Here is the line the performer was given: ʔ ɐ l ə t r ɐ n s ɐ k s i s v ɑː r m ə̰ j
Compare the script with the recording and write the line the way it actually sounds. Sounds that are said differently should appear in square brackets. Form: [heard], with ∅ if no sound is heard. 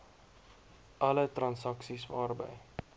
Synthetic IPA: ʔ ɐ l ə t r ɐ n s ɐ k s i s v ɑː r [b] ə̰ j